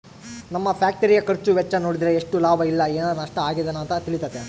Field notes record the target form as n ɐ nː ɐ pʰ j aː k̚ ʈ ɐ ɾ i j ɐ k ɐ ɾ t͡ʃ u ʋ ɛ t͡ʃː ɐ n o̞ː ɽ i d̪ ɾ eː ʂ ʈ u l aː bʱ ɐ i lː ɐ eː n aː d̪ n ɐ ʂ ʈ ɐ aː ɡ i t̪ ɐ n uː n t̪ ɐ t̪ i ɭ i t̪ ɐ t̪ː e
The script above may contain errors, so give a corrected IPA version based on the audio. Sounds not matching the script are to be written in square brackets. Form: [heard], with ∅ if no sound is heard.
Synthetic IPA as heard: n ɐ [mː] ɐ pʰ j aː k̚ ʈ ɐ ɾ i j ɐ k ɐ ɾ t͡ʃ u ʋ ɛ t͡ʃː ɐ n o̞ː ɽ i d̪ ɾ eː ʂ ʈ u l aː bʱ ɐ i lː ɐ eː n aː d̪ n ɐ ʂ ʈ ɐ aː ɡ i [d̪] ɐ n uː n t̪ ɐ t̪ i ɭ i t̪ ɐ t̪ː e